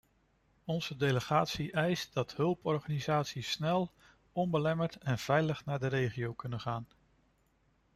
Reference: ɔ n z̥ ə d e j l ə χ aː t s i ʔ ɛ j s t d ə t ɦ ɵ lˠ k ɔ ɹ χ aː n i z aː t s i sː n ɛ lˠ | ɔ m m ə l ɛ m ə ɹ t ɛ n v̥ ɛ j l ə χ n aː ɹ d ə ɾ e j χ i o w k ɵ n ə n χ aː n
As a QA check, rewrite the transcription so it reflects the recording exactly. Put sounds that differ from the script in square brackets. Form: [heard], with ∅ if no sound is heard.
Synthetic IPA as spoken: ɔ n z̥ ə d e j l ə χ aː t s i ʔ ɛ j s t d [ɑ] t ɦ ɵ lˠ [p] ɔ ɹ χ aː n i z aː t s i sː n ɛ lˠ | ɔ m [b] ə l ɛ m ə ɹ t ɛ n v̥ ɛ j l ə χ n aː ɹ d ə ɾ e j χ i o w k ɵ n ə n χ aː n